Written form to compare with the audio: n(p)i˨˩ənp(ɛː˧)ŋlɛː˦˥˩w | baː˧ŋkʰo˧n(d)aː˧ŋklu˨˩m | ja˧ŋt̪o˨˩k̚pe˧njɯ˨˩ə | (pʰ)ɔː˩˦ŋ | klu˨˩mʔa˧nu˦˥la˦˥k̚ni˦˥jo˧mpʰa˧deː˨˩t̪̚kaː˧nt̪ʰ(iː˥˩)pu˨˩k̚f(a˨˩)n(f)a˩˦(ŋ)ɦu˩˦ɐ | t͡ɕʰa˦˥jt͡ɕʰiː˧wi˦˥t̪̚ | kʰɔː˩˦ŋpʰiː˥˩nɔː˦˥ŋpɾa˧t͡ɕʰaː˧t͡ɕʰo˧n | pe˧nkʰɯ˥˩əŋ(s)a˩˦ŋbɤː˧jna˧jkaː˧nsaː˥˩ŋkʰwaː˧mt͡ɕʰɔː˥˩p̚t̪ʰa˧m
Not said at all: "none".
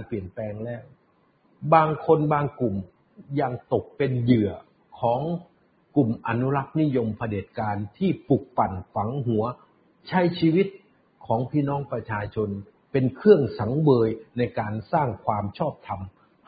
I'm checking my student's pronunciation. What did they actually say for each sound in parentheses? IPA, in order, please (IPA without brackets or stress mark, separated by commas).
p, ɛː˧, b, kʰ, iː˥˩, a˨˩, f, ŋ, s